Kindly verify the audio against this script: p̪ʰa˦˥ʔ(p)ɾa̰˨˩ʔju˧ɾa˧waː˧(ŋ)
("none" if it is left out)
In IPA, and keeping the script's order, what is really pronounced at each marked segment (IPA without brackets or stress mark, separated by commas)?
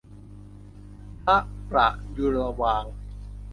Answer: p, ŋ